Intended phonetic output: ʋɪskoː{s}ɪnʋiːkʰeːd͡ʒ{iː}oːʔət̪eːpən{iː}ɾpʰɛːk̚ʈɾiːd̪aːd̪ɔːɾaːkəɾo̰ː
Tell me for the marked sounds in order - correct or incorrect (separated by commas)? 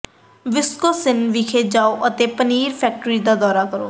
correct, incorrect, correct